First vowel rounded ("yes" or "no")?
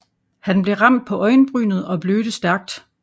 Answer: no